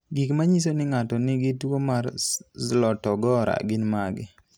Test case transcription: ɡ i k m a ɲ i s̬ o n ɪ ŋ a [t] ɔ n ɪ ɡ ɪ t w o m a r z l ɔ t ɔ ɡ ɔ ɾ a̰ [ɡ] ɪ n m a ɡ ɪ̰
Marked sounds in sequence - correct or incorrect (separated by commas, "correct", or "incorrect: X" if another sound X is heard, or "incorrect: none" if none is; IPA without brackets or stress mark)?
correct, correct